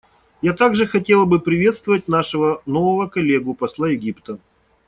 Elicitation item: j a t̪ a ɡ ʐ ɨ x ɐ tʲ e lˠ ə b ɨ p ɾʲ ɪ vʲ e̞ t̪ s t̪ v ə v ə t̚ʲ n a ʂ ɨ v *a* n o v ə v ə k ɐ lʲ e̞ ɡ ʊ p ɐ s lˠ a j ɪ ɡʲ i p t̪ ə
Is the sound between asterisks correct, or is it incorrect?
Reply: incorrect